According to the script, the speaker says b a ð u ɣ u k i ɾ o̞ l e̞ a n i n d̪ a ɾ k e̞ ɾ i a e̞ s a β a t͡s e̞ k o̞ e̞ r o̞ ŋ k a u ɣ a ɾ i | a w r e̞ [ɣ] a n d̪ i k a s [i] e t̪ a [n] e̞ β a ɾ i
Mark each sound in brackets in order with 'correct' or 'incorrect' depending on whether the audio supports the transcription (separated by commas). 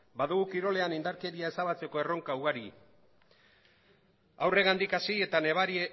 correct, correct, correct